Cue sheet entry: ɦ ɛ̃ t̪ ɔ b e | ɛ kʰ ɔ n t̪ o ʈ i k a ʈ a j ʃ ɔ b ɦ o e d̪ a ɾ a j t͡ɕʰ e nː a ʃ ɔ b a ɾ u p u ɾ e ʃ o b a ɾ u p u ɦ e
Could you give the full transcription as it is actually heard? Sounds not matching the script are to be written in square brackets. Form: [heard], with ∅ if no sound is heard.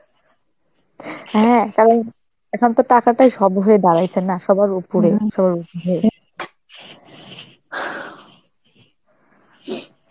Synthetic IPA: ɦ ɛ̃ t̪ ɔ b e | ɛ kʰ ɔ n t̪ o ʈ [a] k a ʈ a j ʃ ɔ b ɦ o e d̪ a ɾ a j t͡ɕʰ e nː a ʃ ɔ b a ɾ u p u ɾ e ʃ [ɔ] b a ɾ u p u ɦ e